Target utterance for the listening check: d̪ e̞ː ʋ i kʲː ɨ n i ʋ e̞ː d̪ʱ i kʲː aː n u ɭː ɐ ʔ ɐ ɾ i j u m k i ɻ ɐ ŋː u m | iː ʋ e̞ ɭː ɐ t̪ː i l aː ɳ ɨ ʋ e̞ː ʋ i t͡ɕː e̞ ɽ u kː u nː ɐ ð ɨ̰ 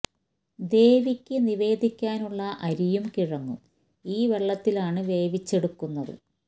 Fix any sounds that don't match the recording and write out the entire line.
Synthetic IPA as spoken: d̪ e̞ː ʋ i kʲː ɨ n i ʋ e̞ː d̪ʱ i kʲː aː n u ɭː ɐ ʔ ɐ ɾ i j u m k i ɻ ɐ ŋː u m | iː ʋ e̞ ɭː ɐ t̪ː i l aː ɳ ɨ ʋ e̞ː ʋ i t͡ɕː e̞ ɽ u kː u nː ɐ ð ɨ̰